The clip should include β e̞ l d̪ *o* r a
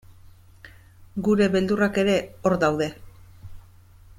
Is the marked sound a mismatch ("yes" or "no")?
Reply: yes